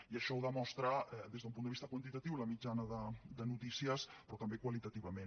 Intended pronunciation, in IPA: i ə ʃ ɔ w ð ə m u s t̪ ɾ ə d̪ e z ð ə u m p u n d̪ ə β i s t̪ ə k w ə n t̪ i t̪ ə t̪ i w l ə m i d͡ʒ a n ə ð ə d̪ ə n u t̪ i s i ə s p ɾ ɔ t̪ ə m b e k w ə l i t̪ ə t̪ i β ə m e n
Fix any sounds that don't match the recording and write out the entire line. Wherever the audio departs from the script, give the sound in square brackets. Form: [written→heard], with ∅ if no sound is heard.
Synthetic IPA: i ə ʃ ɔ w ð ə m [u→ɔ] s t̪ ɾ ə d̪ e z ð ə u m p u n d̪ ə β i s t̪ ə k w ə n t̪ i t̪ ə t̪ i w l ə m i d͡ʒ a n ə ð ə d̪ ə n u t̪ i s i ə s p ɾ ɔ t̪ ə m b e k w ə l i t̪ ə t̪ i β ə m e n